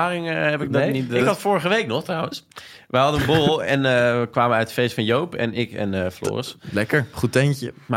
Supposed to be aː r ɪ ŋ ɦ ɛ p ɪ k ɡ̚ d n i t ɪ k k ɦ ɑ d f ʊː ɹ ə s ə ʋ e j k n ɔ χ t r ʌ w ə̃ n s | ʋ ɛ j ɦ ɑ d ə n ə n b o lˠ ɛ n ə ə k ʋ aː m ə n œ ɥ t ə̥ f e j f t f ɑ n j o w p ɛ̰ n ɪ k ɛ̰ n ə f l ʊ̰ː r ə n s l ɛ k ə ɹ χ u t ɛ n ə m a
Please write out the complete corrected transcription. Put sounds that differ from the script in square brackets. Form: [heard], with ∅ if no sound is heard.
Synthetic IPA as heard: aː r ɪ ŋ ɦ ɛ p ɪ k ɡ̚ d n i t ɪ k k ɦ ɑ [t] f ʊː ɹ ə [χ] ə ʋ e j k n ɔ χ t r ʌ w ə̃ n s | ʋ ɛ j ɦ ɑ d ə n ə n b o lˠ ɛ n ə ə k ʋ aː m ə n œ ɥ t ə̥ f e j [s] t f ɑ n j o w p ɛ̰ n ɪ k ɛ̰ n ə f l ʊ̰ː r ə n s l ɛ k ə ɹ χ u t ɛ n ə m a